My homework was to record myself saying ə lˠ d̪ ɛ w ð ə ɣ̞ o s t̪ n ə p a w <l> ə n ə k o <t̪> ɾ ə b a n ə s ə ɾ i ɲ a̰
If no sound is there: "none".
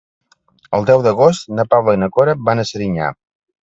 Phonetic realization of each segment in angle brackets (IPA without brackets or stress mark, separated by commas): l, none